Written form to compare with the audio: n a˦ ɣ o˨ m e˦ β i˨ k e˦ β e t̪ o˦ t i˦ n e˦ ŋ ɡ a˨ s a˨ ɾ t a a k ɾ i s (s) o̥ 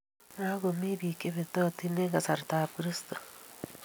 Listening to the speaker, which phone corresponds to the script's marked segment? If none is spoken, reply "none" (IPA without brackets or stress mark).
t